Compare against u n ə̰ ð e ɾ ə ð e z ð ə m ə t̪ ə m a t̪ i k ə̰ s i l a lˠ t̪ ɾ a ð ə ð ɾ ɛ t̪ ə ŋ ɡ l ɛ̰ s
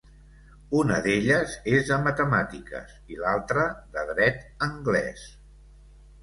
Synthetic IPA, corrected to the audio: u n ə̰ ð e ʎ ə z e z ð ə m ə t̪ ə m a t̪ i k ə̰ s i l a lˠ t̪ ɾ ə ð ə ð ɾ ɛ t̪ ə ŋ ɡ l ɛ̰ s